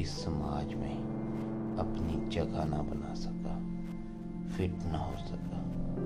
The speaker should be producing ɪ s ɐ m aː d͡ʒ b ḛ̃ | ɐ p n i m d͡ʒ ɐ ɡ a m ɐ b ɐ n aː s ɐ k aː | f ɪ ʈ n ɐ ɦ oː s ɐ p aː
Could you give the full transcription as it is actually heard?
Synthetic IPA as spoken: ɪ s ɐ m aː d͡ʒ m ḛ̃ | ɐ p n i d͡ʒ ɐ ɡ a n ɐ b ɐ n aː s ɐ k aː | f ɪ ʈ n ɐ ɦ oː s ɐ k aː